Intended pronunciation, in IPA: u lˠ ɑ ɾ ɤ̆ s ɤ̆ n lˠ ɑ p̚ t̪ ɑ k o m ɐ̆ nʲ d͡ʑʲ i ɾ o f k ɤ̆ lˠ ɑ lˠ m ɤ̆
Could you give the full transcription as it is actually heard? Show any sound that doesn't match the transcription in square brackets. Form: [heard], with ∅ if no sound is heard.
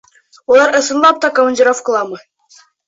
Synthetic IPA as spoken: u lˠ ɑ ɾ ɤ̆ s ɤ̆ n lˠ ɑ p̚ t̪ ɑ k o m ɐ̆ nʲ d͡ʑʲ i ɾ o f k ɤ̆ lˠ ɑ [∅] m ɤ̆